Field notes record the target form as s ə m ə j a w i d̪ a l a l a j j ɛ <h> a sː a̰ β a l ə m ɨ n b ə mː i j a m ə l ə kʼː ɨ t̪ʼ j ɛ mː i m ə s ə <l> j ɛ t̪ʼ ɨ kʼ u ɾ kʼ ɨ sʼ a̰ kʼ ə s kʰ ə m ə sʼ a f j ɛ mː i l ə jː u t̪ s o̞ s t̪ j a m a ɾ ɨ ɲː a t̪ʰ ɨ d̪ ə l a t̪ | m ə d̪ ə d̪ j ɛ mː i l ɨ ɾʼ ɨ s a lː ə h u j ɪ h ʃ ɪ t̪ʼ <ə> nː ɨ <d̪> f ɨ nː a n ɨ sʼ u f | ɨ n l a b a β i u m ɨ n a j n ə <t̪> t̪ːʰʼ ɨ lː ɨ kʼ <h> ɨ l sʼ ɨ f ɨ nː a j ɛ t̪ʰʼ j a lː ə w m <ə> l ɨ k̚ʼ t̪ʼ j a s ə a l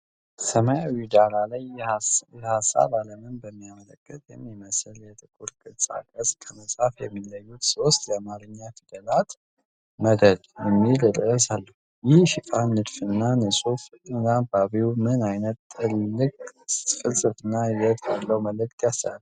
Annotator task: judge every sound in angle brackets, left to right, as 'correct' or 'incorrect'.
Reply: correct, correct, incorrect, correct, correct, incorrect, correct

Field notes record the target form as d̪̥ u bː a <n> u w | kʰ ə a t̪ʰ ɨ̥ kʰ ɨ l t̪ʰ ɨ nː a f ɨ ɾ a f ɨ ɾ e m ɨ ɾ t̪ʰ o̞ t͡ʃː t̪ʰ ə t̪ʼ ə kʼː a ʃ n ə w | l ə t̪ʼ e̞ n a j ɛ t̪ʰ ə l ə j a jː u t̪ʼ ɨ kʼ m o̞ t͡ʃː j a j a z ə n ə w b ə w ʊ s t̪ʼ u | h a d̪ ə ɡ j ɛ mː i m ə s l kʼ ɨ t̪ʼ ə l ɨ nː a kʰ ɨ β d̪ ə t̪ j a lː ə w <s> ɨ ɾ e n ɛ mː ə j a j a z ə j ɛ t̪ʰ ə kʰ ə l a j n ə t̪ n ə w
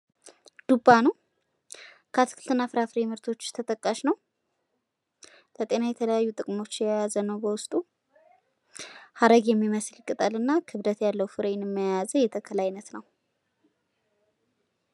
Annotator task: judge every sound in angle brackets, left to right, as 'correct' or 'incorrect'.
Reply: correct, incorrect

